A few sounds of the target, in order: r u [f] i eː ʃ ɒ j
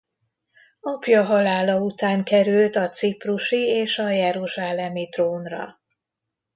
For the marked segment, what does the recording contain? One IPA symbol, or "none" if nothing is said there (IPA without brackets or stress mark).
ʃ